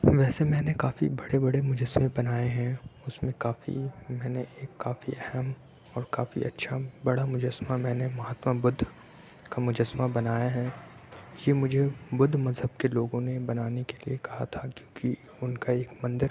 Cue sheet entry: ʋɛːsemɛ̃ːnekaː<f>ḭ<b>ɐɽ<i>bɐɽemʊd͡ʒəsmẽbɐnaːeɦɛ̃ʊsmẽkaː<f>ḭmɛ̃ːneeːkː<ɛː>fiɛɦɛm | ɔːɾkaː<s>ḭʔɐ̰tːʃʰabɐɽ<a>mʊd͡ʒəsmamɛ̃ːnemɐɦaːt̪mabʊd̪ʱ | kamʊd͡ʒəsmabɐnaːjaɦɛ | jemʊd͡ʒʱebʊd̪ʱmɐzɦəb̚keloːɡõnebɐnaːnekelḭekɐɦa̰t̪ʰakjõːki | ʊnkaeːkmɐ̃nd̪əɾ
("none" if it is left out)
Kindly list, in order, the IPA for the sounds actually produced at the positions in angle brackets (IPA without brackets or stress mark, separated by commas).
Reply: f, b, e, f, aː, f, a